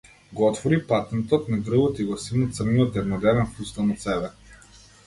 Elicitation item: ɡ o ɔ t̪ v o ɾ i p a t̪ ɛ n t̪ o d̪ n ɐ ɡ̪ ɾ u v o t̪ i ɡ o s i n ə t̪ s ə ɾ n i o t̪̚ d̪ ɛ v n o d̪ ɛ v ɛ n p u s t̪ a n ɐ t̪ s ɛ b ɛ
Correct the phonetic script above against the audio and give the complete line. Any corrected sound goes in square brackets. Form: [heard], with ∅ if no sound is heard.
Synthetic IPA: ɡ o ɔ t̪ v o ɾ i p a t̪ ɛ n t̪ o [t̪] n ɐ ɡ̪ ɾ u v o t̪ i ɡ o s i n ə t̪ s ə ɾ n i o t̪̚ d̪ ɛ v n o d̪ ɛ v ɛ n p u s t̪ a n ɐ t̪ s ɛ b ɛ